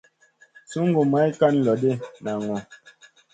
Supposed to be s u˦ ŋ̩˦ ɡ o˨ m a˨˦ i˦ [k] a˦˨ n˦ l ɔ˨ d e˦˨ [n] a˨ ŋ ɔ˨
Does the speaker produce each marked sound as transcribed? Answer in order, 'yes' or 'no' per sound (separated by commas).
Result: yes, yes